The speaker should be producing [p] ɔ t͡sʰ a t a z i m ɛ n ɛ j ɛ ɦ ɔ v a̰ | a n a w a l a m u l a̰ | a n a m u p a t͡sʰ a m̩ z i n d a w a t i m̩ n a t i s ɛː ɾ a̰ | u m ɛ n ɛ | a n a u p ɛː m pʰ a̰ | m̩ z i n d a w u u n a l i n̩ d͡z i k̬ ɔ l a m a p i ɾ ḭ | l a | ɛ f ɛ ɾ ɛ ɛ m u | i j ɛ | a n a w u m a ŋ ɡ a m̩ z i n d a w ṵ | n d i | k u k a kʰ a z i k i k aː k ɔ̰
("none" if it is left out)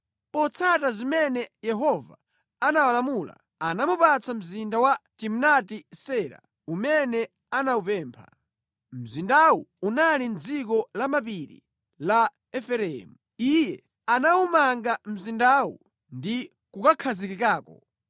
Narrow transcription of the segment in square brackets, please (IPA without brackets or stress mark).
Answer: p